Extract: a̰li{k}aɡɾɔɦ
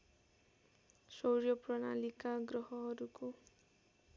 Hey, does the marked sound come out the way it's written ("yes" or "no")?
yes